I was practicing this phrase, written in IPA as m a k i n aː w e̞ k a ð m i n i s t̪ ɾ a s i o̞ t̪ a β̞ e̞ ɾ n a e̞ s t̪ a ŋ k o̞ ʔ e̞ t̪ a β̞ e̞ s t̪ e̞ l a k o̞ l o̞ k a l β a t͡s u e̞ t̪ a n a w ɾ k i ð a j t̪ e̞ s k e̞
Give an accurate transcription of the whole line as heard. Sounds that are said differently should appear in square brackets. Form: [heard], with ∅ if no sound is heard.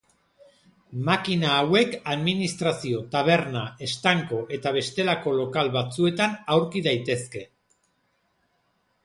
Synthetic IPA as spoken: m a k i n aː w e̞ k a ð m i n i s t̪ ɾ a s i o̞ t̪ a β̞ e̞ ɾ n a e̞ s t̪ a ŋ k o̞ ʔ e̞ t̪ a β̞ e̞ s t̪ e̞ l a k o̞ l o̞ k a l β a t͡s u e̞ t̪ a n a w ɾ k i ð a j t̪ e̞ s k e̞